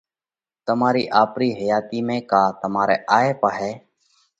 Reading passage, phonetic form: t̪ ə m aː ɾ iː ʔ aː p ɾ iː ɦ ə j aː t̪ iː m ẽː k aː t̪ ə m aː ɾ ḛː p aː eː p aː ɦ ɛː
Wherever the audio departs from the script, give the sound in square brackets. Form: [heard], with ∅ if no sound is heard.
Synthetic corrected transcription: t̪ ə m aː ɾ iː ʔ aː p ɾ iː ɦ ə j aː t̪ iː m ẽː k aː t̪ ə m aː ɾ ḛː [ʔ] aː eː p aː ɦ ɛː